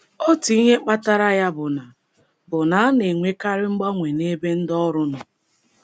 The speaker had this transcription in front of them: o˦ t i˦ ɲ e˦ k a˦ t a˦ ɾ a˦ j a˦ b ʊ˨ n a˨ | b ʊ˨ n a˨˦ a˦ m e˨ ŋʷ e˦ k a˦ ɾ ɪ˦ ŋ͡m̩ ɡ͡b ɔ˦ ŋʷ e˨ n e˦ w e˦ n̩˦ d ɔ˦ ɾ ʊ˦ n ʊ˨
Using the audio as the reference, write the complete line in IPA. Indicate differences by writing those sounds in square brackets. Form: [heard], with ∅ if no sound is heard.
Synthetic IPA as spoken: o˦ t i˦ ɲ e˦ [k͡p] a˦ t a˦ ɾ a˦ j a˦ b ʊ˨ n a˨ | b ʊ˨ n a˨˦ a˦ [n] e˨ ŋʷ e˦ k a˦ ɾ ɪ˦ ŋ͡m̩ ɡ͡b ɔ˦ ŋʷ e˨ n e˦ [b] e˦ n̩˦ d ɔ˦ ɾ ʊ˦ n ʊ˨

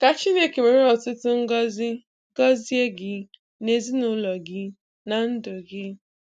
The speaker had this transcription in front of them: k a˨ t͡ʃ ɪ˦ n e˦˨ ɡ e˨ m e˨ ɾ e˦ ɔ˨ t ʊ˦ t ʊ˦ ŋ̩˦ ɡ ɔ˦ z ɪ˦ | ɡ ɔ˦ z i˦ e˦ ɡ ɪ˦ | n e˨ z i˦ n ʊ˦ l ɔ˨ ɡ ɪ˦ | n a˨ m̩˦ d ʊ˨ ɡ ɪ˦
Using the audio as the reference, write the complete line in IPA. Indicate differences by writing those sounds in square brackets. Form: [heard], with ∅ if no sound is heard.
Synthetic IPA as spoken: k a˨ t͡ʃ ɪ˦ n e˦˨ [k] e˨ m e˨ ɾ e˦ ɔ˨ t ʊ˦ t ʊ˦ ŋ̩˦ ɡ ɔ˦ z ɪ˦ | ɡ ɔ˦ z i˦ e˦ ɡ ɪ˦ | n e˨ z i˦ n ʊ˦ l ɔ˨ ɡ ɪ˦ | n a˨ [n̩˦] d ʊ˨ ɡ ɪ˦

